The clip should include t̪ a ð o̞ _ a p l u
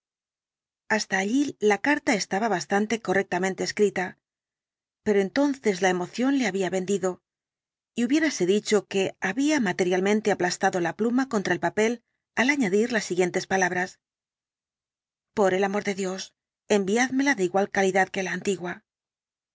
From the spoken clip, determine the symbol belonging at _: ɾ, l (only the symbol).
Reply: l